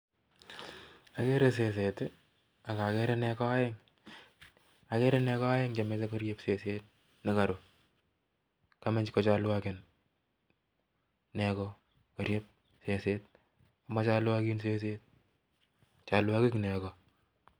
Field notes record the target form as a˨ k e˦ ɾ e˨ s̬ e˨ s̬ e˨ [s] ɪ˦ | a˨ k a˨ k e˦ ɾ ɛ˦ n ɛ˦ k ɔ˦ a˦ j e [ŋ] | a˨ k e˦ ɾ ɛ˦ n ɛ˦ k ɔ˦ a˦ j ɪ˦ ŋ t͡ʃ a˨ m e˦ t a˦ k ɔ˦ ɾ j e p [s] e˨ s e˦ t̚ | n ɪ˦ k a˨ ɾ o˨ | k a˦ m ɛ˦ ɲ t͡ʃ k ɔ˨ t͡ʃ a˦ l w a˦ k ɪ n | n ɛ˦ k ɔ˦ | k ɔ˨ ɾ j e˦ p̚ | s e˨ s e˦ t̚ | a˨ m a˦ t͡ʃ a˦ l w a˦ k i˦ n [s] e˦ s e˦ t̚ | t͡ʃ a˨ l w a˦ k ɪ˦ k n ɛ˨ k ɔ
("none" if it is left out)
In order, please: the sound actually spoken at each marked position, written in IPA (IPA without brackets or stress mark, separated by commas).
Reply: t, ŋ, s, s